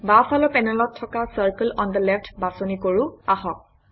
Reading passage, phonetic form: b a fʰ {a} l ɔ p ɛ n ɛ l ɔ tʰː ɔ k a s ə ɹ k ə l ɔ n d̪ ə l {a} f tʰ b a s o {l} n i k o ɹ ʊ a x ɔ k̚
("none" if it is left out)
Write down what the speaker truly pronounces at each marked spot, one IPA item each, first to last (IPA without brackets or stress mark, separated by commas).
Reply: a, ɛ, none